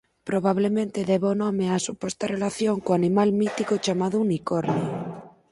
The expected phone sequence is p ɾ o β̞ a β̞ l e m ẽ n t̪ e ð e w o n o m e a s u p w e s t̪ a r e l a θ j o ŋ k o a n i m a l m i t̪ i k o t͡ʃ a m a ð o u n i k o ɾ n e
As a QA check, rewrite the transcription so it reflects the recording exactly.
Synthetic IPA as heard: p ɾ o β̞ a β̞ l e m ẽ n t̪ e ð e β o n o m e a s u p w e s t̪ a r e l a θ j o ŋ k o a n i m a l m i t̪ i k o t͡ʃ a m a ð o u n i k o ɾ n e